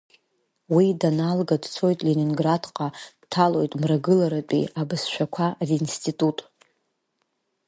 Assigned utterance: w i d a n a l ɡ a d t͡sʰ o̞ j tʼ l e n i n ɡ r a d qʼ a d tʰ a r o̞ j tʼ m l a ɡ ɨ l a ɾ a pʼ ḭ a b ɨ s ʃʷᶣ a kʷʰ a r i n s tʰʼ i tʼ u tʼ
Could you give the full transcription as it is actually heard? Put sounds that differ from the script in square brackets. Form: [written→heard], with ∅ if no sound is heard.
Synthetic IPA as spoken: w i d a n a l ɡ a d t͡sʰ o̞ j tʼ l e n i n ɡ r a d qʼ a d tʰ a [r→l] o̞ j tʼ m [l→r] a ɡ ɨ l a ɾ a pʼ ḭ a b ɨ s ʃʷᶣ a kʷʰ a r i n s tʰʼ i tʼ u tʼ